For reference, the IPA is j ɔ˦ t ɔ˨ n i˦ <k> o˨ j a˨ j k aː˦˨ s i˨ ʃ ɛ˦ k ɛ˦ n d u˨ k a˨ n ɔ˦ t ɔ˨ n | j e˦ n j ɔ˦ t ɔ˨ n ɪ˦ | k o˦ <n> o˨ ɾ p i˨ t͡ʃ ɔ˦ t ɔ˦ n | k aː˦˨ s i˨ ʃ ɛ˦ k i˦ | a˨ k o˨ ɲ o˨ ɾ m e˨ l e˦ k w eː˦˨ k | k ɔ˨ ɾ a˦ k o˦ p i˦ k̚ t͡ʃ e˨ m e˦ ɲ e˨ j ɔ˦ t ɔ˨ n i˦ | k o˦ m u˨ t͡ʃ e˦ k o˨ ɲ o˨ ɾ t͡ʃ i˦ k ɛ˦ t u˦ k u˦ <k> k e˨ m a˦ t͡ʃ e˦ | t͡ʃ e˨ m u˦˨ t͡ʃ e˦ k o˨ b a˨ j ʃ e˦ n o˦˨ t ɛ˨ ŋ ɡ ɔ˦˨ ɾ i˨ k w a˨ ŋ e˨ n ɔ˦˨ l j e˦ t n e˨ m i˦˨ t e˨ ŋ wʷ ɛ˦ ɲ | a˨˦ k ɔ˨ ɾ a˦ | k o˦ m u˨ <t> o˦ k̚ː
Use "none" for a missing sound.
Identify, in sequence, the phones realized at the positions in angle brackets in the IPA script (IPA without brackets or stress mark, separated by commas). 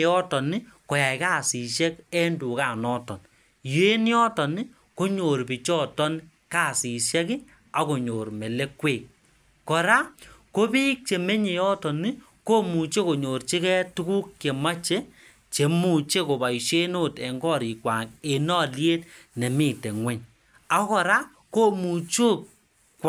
k, ɲ, k, t͡ʃ